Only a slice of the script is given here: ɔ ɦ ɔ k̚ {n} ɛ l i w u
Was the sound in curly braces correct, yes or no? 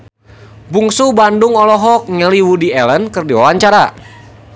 no